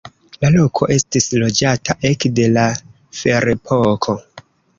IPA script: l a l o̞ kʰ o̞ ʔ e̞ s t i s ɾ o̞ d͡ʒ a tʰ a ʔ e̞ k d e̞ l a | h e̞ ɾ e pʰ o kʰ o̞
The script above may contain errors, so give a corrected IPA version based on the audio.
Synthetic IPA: l a l o̞ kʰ o̞ ʔ e̞ s t i s l o̞ d͡ʒ a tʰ a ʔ e̞ k d e̞ l a | f e̞ ɾ e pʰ o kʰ o̞